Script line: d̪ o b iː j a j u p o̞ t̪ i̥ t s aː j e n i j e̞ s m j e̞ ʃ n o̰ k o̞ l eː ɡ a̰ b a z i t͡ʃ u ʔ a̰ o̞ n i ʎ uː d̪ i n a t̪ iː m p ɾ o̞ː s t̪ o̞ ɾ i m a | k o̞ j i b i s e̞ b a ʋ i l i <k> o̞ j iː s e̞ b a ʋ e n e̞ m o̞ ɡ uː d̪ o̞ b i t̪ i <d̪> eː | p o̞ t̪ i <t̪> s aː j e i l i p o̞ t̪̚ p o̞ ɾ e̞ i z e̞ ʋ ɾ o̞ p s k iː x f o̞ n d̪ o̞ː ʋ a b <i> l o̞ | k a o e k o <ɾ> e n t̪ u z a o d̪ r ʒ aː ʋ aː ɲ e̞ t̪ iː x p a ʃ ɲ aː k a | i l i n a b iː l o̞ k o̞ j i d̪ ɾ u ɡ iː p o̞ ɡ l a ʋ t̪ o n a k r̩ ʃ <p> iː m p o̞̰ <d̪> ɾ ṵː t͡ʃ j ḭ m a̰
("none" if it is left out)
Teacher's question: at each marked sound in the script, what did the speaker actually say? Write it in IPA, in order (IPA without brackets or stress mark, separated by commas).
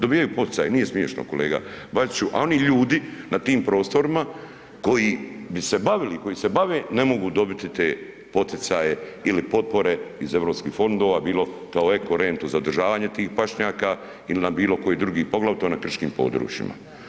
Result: k, t̪, t̪, iː, ɾ, k, d̪